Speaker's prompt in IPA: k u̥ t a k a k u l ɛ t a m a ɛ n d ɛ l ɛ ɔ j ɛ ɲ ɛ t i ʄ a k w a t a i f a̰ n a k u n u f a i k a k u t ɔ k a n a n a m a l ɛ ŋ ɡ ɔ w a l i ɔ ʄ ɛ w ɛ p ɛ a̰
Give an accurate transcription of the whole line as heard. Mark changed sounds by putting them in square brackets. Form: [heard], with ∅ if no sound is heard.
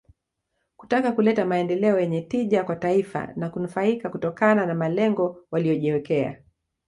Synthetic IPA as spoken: k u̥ t a k a k u l ɛ t a m a ɛ n d ɛ l ɛ ɔ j ɛ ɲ ɛ t i ʄ a k w a t a i f a̰ n a k u n u f a i k a k u t ɔ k a n a n a m a l ɛ ŋ ɡ ɔ w a l i ɔ ʄ ɛ w ɛ [k] ɛ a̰

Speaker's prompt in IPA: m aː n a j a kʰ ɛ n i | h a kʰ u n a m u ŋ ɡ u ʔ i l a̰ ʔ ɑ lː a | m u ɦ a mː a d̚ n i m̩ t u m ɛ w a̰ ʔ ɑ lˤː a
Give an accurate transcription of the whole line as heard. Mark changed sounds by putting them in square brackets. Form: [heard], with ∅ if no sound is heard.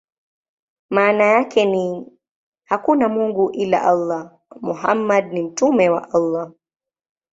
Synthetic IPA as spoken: m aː n a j a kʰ ɛ n i | h a [k] u n a m u ŋ ɡ u ʔ i l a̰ ʔ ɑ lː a | m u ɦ a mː a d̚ n i m̩ t u m ɛ w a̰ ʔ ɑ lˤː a

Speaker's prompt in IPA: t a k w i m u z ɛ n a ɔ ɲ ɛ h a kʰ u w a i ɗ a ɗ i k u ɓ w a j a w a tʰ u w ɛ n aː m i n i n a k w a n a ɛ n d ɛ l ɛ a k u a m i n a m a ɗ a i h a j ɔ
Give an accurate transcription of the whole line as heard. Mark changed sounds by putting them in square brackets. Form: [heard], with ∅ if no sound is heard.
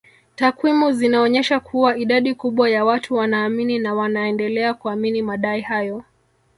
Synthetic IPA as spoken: t a k w i m u z [i] n a ɔ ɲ ɛ [ʃ] a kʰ u w a i ɗ a ɗ i k u ɓ w a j a w a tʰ u w [a] n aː m i n i n a [∅] w a n a ɛ n d ɛ l ɛ a k u a m i n [i] m a ɗ a i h a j ɔ

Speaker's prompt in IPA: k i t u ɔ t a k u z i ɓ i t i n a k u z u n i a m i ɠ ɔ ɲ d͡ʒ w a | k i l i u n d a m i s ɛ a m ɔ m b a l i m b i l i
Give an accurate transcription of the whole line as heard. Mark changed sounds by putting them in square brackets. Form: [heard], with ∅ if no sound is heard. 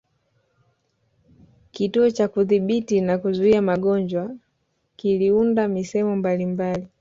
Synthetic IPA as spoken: k i t u ɔ [t͡ʃ] a k u [ð] i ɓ i t i n a k u z u [∅] i a m [a] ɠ ɔ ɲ d͡ʒ w a | k i l i u n d a m i s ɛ [ɛ] m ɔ m b a l i m b [a] l i

